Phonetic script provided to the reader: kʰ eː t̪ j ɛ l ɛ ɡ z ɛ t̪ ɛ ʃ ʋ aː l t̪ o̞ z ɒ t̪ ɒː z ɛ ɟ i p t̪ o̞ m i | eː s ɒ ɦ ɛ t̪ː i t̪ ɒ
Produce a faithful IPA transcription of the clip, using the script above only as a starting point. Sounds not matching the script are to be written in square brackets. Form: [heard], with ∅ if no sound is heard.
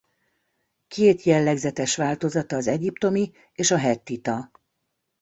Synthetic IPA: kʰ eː t̪ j ɛ [lː] ɛ ɡ z ɛ t̪ ɛ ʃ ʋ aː l t̪ o̞ z ɒ t̪ ɒː z ɛ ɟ i p t̪ o̞ m i | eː [ʃ] ɒ ɦ ɛ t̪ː i t̪ ɒ